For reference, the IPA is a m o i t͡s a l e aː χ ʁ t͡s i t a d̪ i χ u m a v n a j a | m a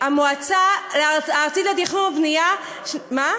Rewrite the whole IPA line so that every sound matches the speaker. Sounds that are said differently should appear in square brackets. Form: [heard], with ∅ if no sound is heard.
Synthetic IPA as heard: a m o [a] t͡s a l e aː [∅] ʁ t͡s i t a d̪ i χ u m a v n [i] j a | m a